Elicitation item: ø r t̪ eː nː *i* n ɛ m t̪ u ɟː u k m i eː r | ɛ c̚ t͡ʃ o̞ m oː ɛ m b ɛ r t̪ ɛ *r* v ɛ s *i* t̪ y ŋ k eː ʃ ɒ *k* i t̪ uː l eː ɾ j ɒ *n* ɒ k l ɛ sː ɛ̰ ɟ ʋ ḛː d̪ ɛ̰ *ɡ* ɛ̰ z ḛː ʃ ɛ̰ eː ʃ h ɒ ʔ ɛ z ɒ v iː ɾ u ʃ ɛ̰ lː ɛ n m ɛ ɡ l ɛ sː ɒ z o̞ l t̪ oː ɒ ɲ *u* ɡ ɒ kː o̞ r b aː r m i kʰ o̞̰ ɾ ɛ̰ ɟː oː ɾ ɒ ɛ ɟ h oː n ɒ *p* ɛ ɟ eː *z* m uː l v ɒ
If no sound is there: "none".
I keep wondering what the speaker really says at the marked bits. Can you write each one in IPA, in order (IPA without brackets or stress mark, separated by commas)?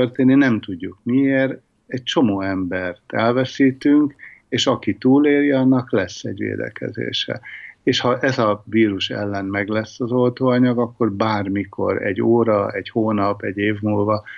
i, l, iː, k, nː, k, ɒ, p, v